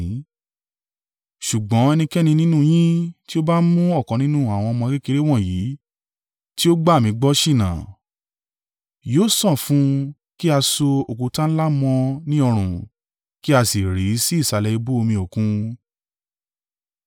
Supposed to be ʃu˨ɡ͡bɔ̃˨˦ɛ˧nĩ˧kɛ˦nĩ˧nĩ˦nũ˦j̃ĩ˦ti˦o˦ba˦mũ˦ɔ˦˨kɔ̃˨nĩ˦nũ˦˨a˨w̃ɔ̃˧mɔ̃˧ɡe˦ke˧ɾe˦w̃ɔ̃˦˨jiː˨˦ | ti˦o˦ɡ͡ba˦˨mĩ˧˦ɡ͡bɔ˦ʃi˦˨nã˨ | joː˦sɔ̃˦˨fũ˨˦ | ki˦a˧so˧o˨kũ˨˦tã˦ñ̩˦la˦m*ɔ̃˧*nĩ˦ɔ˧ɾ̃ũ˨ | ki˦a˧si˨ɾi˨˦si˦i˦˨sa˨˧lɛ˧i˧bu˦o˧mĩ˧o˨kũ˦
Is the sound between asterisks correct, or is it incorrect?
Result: correct